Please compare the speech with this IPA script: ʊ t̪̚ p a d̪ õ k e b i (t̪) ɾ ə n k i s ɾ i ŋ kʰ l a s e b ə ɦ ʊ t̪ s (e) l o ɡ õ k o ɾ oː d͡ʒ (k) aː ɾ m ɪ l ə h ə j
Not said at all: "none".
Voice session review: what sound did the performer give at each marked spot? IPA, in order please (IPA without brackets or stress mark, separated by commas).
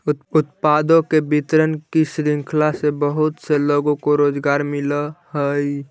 t̪, e, ɡ